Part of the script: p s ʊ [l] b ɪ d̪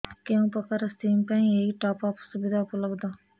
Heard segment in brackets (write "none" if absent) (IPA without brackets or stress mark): none